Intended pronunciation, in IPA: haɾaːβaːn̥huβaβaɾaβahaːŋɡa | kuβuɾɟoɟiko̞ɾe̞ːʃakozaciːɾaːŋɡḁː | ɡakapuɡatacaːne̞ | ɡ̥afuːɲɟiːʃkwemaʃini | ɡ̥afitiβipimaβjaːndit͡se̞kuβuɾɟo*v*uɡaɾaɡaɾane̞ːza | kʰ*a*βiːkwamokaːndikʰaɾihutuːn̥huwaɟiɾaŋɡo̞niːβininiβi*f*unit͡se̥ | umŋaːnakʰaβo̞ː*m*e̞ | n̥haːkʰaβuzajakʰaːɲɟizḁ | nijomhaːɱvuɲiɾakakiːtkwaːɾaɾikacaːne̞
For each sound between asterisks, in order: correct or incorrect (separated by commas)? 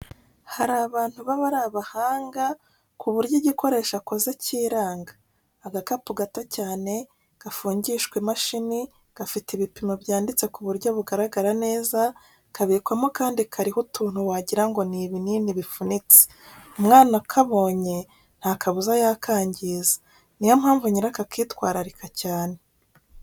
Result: incorrect, correct, correct, incorrect